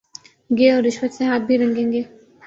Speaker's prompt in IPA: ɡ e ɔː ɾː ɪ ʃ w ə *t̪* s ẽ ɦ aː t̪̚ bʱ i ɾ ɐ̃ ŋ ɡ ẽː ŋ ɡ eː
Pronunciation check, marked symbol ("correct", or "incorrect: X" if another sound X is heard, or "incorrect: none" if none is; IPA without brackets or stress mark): correct